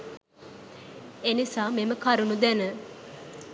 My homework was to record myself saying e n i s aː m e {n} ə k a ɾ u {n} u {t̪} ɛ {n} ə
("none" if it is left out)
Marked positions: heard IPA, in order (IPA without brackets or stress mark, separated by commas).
m, n, d̪, n